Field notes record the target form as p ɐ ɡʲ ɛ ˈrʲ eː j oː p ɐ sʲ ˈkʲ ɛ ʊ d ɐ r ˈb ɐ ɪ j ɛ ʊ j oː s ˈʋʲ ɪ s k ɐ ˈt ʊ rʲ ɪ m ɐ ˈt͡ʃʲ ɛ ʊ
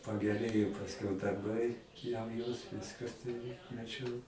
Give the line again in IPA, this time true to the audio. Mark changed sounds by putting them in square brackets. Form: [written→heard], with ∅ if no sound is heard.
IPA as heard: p ɐ ɡʲ ɛ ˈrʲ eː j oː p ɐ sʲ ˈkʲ ɛ ʊ d ɐ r ˈb ɐ ɪ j ɛ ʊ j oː s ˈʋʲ ɪ s k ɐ ˈt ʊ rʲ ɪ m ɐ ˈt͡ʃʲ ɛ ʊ